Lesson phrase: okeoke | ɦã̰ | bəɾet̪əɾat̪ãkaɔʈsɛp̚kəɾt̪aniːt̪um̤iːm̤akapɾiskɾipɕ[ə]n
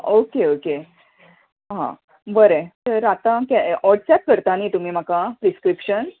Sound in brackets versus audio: correct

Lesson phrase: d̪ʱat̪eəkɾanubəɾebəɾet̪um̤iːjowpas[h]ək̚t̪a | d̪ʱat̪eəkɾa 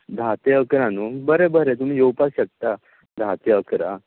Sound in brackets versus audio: incorrect: ɕ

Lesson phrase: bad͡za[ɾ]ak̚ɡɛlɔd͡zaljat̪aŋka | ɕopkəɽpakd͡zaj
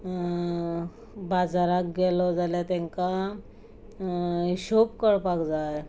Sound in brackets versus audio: correct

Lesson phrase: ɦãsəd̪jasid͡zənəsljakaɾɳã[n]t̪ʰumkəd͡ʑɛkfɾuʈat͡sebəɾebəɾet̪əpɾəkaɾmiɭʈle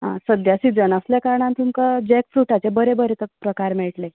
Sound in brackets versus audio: correct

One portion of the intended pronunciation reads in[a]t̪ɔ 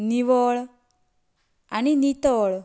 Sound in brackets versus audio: incorrect: i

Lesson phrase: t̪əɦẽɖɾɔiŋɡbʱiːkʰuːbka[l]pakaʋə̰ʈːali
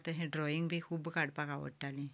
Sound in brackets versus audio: incorrect: ɽ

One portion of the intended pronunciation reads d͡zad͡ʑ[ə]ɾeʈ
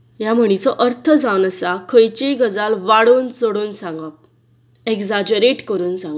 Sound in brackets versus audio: correct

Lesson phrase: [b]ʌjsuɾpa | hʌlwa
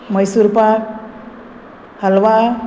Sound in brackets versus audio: incorrect: m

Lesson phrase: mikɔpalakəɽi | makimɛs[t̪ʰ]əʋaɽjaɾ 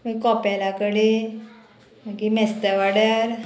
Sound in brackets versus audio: incorrect: t̪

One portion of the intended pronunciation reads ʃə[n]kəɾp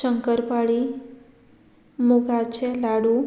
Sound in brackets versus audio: incorrect: ŋ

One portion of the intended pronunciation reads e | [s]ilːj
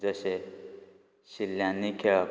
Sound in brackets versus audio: correct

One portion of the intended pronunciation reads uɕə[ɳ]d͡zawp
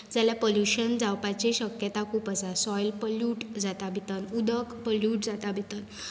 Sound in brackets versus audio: incorrect: n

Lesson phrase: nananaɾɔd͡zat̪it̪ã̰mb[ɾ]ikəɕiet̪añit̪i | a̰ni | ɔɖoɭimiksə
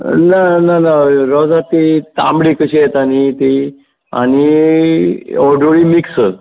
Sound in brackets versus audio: incorrect: ɽ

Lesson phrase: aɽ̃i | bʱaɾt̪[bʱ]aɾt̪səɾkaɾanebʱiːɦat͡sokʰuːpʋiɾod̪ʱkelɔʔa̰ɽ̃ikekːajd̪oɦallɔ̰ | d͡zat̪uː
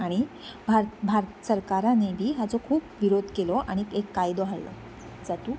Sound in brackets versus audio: correct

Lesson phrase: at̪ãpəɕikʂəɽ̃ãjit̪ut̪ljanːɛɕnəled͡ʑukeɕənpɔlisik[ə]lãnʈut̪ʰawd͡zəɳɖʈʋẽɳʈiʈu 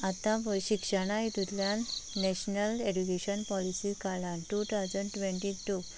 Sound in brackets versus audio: incorrect: a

